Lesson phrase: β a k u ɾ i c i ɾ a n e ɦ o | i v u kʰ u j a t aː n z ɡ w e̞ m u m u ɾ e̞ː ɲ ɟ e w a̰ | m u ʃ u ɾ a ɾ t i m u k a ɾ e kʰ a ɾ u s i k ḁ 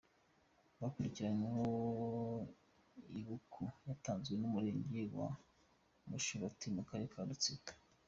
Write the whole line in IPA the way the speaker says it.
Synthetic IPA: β a k u ɾ i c i ɾ a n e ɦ o | i β u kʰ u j a t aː n z ɡ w e̞ n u m u ɾ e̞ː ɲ ɟ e w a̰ | m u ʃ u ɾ a t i m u k a ɾ e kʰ a ɾ u t͡s i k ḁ